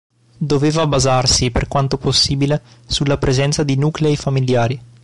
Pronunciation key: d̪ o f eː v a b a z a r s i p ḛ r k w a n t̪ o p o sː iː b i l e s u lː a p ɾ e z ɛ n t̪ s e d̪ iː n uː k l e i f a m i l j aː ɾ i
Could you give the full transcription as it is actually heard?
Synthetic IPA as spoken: d̪ o v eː v a b a z a r s i p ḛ r k w a n t̪ o p o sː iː b i l e s u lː a p ɾ e z ɛ n t̪ s a d̪ i n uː k l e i f a m i l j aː ɾ i

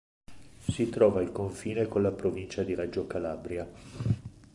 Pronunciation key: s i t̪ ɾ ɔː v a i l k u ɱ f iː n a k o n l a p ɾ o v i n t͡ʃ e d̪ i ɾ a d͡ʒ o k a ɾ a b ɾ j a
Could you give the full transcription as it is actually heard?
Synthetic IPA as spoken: s i t̪ ɾ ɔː v a i l k o ɱ f iː n e k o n l a p ɾ o v i n t͡ʃ a d̪ i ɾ a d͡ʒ o k a l a b ɾ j a

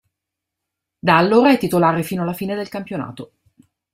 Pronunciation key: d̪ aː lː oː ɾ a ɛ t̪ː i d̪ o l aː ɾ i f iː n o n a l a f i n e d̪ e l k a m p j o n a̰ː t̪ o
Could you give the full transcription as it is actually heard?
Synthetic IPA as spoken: d̪ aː lː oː ɾ a ɛ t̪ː i t̪ o l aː ɾ e f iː n o a l a f iː n e d̪ e l k a m p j o n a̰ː t̪ o

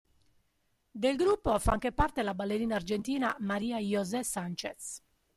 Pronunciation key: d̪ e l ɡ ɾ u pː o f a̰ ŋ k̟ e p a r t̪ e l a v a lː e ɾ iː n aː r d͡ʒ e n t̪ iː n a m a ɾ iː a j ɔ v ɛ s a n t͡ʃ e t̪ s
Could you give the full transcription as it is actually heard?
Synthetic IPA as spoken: d̪ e l ɡ ɾ u pː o f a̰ ŋ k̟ e p a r t̪ e l a b a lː e ɾ iː n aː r d͡ʒ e n t̪ iː n a m a ɾ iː a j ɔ z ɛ s a n t͡ʃ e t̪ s

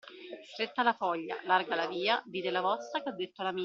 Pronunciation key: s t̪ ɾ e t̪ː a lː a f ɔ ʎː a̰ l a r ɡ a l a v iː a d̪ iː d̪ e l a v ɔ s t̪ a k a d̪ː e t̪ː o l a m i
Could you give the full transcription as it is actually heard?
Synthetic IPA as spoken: s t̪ ɾ e t̪ː a l a f ɔ ʎː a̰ l a r ɡ a l a v iː a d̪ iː d̪ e l a v ɔ s t̪ a k a d̪ː e t̪ː o l a m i

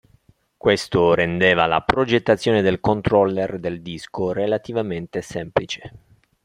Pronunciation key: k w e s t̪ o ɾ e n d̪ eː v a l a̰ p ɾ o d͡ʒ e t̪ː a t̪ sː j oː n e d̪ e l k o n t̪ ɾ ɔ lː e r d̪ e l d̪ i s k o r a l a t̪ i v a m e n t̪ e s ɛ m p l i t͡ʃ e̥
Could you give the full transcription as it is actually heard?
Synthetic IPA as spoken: k w e s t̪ o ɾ e n d̪ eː v a l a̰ p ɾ o d͡ʒ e t̪ː a t̪ sː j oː n e d̪ e l k o n t̪ ɾ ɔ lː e r d̪ e l d̪ i s k o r e l a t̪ i v a m e n t̪ e s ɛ m p l i t͡ʃ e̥

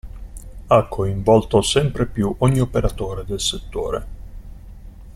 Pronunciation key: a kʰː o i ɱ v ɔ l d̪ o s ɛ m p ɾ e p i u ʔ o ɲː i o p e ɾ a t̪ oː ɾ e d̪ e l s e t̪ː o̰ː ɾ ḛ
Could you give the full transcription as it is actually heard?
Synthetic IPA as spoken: a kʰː o i ɱ v ɔ l t̪ o s ɛ m p ɾ e p j u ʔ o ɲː i o p e ɾ a t̪ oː ɾ e d̪ e l s e t̪ː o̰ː ɾ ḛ

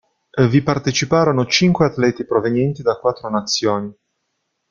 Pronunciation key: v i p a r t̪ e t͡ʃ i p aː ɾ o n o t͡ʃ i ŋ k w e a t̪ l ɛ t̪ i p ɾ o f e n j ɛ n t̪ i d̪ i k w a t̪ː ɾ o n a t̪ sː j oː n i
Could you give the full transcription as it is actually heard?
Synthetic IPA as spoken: v i p a r t̪ e t͡ʃ i p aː ɾ o n o t͡ʃ i ŋ k w e a t̪ l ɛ t̪ i p ɾ o v e n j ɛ n t̪ i d̪ a k w a t̪ː ɾ o n a t̪ sː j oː n i

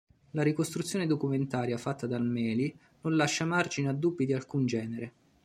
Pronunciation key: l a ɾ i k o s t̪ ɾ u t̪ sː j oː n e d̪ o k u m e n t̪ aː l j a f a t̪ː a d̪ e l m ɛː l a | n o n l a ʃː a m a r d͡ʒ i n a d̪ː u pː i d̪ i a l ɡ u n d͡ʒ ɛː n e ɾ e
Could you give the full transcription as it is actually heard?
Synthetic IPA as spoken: l a ɾ i k o s t̪ ɾ u t̪ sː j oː n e d̪ o k u m e n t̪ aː ɾ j a f a t̪ː a d̪ a l m ɛː l i | n o n l a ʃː a m a r d͡ʒ i n a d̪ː u bː i d̪ i a l k u n d͡ʒ ɛː n e ɾ e

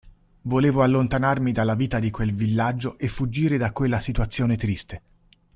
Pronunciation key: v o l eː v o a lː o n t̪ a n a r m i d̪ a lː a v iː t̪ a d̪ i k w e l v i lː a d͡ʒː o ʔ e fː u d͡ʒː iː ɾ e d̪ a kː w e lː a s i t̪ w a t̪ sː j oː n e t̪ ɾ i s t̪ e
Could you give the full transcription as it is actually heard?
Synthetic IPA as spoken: v o l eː v o a lː o n t̪ a n a r m i d̪ a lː a v iː t̪ a d̪ i k w e l v i lː a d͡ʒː o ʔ e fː u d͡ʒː iː ɾ e d̪ a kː w e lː a s i t̪ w a t̪ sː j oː n e t̪ ɾ i s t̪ e

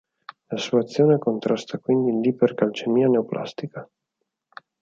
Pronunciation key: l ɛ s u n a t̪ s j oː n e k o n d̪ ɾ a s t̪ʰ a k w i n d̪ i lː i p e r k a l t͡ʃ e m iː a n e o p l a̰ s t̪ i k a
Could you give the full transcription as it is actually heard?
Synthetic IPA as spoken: l a s u a t̪ sː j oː n e k o n t̪ ɾ a s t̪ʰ a k w i n d̪ i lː i p e r k a l t͡ʃ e m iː a n e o p l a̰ s t̪ i k a

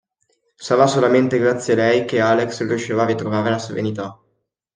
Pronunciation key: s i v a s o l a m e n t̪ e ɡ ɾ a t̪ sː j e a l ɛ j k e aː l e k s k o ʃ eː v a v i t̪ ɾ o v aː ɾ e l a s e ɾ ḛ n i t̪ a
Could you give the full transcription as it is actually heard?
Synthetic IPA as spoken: s a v a s o l a m e n t̪ e ɡ ɾ a t̪ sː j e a l ɛ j k e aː l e k s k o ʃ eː v a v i t̪ ɾ o v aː ɾ e l a s e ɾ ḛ n i t̪ a

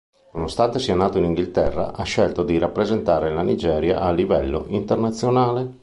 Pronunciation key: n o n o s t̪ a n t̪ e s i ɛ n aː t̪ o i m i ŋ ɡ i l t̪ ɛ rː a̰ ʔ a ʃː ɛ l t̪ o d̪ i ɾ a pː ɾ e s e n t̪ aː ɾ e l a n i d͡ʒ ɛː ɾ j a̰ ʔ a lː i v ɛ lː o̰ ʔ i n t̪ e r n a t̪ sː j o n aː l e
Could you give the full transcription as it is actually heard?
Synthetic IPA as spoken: n o n o s t̪ a n t̪ e s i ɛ n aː t̪ o i n i ŋ ɡ i l t̪ ɛ rː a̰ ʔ a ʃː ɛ l t̪ o d̪ i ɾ a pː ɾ e z e n t̪ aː ɾ e l a n i d͡ʒ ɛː ɾ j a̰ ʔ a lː i v ɛ lː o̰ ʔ i n t̪ e r n a t̪ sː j o n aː l e

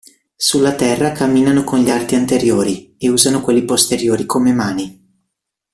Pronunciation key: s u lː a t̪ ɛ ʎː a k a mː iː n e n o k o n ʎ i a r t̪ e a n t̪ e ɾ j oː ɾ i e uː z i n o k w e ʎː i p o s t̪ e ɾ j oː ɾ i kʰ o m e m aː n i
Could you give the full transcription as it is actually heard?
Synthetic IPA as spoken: s u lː a t̪ ɛ rː a k a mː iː n a n o k o n ʎ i a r t̪ i a n t̪ e ɾ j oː ɾ i e uː z a n o k w e lː i p o s t̪ e ɾ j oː ɾ i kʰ o m e m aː n i

